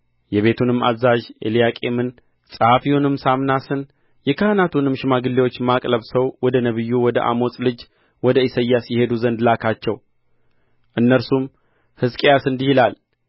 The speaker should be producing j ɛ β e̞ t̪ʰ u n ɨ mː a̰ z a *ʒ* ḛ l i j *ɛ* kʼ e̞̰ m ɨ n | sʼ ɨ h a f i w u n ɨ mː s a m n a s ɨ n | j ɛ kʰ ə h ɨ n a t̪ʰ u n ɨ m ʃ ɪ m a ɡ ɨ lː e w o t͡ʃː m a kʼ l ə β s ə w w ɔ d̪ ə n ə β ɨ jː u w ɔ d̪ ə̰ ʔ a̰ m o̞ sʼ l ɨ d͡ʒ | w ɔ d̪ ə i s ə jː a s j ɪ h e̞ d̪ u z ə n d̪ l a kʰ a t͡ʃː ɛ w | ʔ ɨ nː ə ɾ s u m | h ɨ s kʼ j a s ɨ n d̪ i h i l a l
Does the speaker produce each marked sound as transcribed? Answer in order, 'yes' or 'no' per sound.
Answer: yes, no

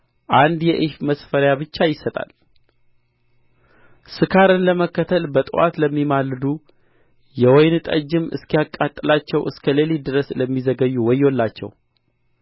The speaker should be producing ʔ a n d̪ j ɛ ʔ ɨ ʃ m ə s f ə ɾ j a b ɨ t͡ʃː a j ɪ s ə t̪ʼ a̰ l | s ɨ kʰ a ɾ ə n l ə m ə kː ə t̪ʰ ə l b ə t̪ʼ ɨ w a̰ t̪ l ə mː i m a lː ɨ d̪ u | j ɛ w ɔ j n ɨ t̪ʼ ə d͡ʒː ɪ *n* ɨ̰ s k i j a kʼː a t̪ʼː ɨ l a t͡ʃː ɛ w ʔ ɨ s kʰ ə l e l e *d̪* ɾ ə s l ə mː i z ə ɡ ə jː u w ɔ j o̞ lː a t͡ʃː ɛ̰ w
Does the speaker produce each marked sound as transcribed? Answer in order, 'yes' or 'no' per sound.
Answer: no, yes

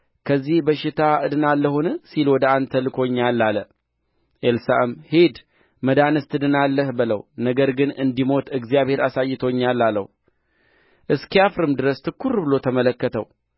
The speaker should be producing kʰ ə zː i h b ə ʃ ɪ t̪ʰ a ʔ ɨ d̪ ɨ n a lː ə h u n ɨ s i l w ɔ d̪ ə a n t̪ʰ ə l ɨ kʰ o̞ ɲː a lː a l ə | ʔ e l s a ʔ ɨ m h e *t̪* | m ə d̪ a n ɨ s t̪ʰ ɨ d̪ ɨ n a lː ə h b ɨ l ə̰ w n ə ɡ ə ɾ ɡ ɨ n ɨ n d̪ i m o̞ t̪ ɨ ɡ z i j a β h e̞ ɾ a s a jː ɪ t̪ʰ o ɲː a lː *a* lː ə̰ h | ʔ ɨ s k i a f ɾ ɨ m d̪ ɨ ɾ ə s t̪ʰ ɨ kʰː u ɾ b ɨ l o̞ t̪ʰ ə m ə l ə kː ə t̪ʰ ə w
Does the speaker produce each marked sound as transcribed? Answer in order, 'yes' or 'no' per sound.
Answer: no, yes

